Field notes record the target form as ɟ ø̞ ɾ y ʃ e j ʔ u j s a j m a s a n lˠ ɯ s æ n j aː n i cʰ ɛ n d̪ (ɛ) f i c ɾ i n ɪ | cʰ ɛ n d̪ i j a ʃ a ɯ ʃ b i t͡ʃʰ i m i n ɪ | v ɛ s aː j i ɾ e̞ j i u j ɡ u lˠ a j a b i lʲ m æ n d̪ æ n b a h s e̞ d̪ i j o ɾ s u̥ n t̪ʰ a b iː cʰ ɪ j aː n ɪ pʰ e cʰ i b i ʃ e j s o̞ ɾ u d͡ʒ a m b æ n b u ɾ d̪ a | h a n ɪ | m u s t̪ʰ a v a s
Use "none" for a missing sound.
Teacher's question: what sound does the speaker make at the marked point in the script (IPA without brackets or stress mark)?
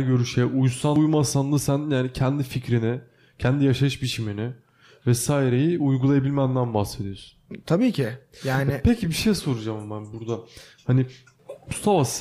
i